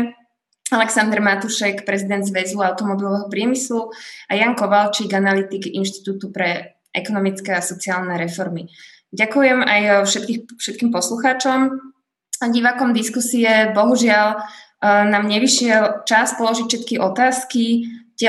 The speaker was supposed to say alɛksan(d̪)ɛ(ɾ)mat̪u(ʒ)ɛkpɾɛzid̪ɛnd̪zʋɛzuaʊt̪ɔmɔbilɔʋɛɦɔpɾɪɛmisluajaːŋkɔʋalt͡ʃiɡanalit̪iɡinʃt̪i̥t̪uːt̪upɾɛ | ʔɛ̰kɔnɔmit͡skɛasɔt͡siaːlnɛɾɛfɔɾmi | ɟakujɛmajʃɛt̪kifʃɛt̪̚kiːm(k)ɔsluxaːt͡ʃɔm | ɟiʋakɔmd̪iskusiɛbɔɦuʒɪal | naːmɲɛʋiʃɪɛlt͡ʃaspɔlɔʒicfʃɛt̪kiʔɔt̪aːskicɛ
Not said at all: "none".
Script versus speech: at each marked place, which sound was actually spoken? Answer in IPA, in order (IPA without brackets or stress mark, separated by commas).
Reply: d̪, ɾ, ʃ, p